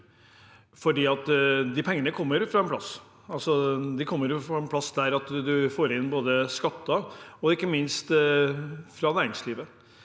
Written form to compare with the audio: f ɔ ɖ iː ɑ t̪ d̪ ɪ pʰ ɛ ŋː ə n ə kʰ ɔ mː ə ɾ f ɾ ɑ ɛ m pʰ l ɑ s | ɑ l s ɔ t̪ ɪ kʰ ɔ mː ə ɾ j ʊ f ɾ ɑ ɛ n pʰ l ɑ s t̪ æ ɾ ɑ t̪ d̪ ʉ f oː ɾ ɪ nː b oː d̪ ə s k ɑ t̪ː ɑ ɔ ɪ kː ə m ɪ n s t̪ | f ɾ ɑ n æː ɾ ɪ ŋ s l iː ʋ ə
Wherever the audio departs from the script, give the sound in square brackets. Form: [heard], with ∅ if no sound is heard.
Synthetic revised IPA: f ɔ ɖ iː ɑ t̪ d̪ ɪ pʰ ɛ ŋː ə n ə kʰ ɔ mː ə ɾ f ɾ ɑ ɛ [n] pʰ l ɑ s | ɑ l s ɔ [d̪] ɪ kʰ ɔ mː ə ɾ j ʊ f ɾ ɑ ɛ n pʰ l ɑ s [d̪] æ ɾ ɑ t̪ d̪ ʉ f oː ɾ ɪ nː b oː d̪ ə s k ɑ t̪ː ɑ ɔ ɪ kː ə m ɪ n s t̪ | f ɾ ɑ n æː ɾ ɪ ŋ s l iː ʋ ə

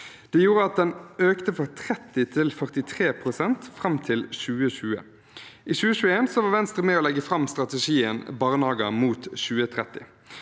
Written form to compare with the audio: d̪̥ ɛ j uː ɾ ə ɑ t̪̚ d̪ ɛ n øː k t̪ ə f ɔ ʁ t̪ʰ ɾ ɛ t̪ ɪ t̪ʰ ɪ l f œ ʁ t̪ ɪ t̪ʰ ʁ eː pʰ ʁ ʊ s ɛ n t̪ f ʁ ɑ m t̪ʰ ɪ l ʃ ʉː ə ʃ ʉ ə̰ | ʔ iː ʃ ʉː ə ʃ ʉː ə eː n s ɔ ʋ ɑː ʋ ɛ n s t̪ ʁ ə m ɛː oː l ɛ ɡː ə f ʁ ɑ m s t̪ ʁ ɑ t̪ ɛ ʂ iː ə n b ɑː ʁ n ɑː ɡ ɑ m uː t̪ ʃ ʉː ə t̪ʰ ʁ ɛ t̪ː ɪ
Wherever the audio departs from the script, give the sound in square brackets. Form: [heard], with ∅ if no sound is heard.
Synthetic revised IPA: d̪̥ ɛ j uː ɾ ə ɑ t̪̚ d̪ ɛ n øː k t̪ ə f ɔ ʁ t̪ʰ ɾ ɛ t̪ ɪ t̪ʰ ɪ l f œ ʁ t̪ ɪ t̪ʰ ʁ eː pʰ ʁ ʊ s ɛ n t̪ f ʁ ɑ m t̪ʰ ɪ l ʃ ʉː ə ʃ [ʉː] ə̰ | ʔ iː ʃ ʉː ə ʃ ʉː ə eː n s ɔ ʋ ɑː ʋ ɛ n s t̪ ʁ ə m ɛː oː l ɛ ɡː ə f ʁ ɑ m s t̪ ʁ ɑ t̪ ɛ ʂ iː ə n b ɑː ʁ n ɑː ɡ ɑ m uː t̪ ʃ ʉː ə t̪ʰ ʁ ɛ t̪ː ɪ

